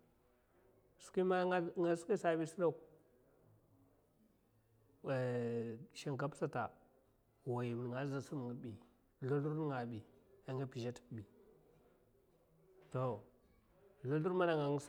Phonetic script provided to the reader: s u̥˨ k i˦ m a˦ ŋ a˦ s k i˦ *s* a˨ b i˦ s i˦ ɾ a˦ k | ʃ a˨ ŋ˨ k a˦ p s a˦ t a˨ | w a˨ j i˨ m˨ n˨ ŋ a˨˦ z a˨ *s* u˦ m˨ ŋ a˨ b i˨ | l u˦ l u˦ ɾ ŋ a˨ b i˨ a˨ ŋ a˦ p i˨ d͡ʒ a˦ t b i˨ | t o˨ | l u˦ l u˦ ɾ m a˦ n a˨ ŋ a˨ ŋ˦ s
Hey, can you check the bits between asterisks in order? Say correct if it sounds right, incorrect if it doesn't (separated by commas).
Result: correct, correct